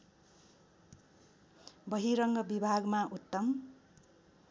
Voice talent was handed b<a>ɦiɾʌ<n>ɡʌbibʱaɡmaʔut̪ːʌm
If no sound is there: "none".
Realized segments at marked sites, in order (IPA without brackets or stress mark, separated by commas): ʌ, ŋ